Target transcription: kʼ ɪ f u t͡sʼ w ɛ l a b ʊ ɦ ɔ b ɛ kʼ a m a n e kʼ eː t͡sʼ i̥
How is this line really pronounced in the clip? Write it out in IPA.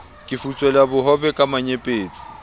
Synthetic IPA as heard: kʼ ɪ f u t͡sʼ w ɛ l a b ʊ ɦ ɔ b ɛ kʼ a m a ɲ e pʼ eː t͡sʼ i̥